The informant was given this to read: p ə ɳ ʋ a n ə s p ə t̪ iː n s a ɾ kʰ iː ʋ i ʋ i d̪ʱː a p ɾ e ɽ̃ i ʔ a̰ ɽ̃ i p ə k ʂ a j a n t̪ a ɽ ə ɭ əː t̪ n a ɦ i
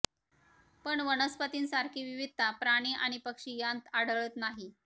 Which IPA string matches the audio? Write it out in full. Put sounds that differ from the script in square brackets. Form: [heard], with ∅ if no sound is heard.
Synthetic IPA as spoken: p ə ɳ ʋ [ə] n ə s p ə t̪ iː n s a ɾ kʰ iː ʋ i ʋ i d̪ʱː a p ɾ [a] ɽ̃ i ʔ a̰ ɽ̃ i p ə k ʂ [i] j a n t̪ a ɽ ə ɭ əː t̪ n a ɦ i